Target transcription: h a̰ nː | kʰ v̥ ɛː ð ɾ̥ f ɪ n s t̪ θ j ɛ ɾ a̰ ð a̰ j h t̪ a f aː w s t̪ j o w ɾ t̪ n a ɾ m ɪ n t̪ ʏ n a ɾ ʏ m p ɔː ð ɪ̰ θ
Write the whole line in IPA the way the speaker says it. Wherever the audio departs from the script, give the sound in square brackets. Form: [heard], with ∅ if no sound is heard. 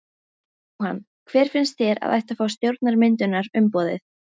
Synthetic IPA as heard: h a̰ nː | kʰ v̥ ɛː [∅] ɾ̥ f ɪ n s t̪ θ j ɛ ɾ a̰ ð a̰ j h t̪ a f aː w s t̪ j o w ɾ t̪ n a ɾ m ɪ n t̪ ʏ n a ɾ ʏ m p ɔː ð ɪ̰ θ